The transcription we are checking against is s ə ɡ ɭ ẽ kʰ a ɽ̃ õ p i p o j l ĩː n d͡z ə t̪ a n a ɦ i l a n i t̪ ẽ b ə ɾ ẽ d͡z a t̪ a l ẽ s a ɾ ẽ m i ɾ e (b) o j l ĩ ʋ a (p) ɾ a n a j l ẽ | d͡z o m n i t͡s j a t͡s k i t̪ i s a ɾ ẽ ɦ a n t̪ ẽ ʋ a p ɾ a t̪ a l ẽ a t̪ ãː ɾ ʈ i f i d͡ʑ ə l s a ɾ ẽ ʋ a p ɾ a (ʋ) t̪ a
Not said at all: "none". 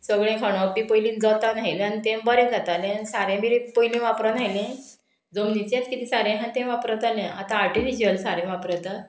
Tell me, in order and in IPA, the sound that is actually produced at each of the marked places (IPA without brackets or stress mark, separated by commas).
p, p, none